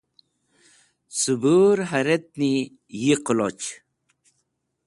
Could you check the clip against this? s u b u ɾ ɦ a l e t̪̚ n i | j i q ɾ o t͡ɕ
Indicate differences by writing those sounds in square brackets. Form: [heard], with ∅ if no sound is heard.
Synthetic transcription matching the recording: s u b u ɾ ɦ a [ɾ] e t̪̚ n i | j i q [l] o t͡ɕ